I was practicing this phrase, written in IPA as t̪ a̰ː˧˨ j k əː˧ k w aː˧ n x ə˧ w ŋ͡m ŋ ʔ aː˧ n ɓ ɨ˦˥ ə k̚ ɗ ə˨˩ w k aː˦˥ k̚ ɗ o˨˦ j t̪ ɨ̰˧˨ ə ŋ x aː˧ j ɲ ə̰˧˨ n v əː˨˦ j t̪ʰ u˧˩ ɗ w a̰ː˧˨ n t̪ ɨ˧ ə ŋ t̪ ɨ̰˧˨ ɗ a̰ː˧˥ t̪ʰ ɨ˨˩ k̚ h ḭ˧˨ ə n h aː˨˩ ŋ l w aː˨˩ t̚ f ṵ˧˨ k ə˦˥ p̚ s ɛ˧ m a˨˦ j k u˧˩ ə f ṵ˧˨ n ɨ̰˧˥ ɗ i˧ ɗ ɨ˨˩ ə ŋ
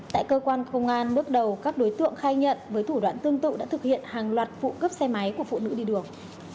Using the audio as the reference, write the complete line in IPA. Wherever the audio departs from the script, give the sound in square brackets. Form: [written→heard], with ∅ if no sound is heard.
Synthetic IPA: t̪ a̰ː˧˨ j k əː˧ k w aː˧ n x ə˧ w ŋ͡m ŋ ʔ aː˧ n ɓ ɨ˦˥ ə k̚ ɗ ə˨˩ w k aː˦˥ k̚ ɗ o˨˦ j t̪ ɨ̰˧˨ ə ŋ x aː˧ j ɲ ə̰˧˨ n v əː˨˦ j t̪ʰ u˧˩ ɗ w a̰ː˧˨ n t̪ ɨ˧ ə ŋ t̪ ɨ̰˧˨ ɗ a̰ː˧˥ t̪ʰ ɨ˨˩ k̚ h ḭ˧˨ ə n h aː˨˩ ŋ l w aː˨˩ t̚ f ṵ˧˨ k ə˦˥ p̚ s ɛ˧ m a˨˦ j k u˧˩ ə f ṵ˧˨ n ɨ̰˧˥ ɗ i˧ ɗ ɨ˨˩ ə ŋ